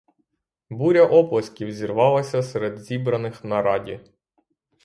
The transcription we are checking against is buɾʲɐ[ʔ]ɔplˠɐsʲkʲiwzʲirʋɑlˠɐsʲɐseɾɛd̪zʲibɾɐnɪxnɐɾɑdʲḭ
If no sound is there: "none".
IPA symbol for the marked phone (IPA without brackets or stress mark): ʔ